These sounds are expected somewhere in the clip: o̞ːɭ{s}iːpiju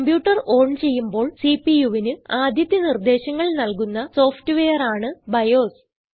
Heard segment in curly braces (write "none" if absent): s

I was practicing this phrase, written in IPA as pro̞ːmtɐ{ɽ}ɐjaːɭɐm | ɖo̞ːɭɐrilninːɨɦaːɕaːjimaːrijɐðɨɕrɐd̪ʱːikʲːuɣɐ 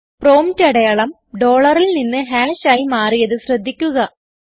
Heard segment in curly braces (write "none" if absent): ɽ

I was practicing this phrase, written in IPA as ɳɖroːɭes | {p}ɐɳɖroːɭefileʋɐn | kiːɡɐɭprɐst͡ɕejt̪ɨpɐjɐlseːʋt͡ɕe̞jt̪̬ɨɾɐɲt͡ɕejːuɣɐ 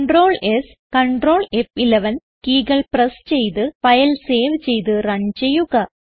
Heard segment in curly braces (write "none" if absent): k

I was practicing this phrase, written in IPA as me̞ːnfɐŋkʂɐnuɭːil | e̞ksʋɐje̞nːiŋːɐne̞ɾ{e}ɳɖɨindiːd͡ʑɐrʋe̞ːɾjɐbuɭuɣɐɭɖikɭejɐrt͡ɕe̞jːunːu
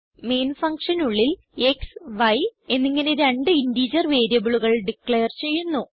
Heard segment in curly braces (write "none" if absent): e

